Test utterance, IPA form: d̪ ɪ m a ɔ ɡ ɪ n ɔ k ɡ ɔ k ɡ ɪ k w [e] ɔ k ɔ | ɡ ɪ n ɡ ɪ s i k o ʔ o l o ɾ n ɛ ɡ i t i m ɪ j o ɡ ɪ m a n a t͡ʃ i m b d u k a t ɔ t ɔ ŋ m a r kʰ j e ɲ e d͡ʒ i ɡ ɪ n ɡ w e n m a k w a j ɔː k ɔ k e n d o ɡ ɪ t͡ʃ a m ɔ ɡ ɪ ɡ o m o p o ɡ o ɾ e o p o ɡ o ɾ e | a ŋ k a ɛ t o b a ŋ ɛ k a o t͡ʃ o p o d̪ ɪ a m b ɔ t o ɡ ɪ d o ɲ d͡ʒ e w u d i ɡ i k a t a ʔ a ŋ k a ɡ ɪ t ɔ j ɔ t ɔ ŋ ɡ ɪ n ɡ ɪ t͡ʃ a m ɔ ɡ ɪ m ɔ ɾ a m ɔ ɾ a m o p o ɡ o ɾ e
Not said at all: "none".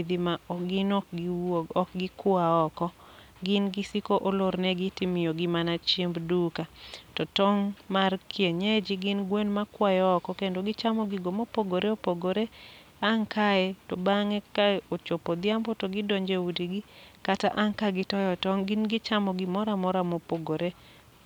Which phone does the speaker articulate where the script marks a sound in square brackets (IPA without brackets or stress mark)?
a